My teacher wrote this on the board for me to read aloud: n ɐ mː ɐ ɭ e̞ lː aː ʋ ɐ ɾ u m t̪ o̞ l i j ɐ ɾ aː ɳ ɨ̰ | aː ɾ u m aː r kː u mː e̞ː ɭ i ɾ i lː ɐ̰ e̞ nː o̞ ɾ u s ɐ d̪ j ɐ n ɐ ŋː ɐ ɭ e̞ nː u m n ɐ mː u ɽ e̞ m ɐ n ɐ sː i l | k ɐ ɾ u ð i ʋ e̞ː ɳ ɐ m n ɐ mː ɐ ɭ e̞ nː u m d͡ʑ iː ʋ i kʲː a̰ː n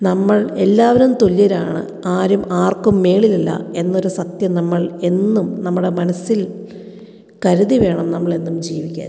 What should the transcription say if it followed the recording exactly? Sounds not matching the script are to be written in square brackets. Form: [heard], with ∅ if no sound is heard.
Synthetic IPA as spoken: n ɐ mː ɐ ɭ e̞ lː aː ʋ ɐ ɾ u m t̪ o̞ l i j ɐ ɾ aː ɳ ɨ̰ | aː ɾ u m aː r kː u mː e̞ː ɭ i [l] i lː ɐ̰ e̞ nː o̞ ɾ u s ɐ [t̪] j ɐ n ɐ [mː] ɐ ɭ e̞ nː u m n ɐ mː u ɽ e̞ m ɐ n ɐ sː i l | k ɐ ɾ u ð i ʋ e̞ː ɳ ɐ m n ɐ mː ɐ ɭ e̞ nː u m d͡ʑ iː ʋ i kʲː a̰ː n